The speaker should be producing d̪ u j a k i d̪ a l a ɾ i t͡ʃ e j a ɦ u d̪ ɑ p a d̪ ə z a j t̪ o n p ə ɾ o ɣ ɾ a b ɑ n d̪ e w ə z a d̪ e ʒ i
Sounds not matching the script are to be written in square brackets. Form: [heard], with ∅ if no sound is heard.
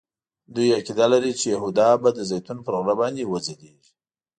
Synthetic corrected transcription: d̪ u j a k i d̪ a l a ɾ i t͡ʃ e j a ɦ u d̪ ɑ [b] a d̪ ə z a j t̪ [u] n p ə ɾ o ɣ ɾ a b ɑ n d̪ e w ə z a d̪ e ʒ i